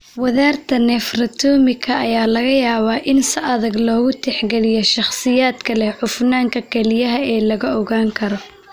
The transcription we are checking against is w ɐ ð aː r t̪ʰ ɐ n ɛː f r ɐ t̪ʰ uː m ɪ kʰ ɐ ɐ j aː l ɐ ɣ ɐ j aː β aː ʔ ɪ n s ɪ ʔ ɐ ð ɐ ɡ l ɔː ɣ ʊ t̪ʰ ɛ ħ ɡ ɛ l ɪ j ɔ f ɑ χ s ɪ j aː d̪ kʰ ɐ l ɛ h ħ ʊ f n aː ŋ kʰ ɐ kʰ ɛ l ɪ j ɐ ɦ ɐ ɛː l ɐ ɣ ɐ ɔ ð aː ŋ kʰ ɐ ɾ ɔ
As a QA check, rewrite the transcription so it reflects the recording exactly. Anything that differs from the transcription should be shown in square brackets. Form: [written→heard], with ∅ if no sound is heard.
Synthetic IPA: w ɐ ð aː r t̪ʰ ɐ n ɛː f r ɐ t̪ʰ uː m ɪ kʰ ɐ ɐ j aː l ɐ ɣ ɐ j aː β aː ʔ ɪ n s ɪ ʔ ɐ ð ɐ ɡ l ɔː ɣ ʊ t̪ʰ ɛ ħ ɡ ɛ l ɪ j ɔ [f→ʃ] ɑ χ s ɪ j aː d̪ kʰ ɐ l ɛ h ħ ʊ f n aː ŋ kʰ ɐ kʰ ɛ l ɪ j ɐ ɦ ɐ ɛː l ɐ ɣ ɐ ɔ [ð→ɣ] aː ŋ kʰ ɐ ɾ ɔ